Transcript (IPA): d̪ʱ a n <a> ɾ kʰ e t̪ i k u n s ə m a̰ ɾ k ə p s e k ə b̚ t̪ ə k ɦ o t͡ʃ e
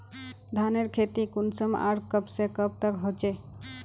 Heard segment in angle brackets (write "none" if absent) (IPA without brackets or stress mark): e